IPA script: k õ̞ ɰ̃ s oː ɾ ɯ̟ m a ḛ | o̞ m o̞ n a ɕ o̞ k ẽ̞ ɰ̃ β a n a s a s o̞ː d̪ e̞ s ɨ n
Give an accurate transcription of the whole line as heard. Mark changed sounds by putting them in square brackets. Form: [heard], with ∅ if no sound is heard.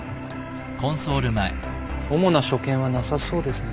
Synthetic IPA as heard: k õ̞ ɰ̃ s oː ɾ ɯ̟ m a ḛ | o̞ m o̞ n a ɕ o̞ k ẽ̞ ɰ̃ β a n a s a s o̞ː d̪ e̞ s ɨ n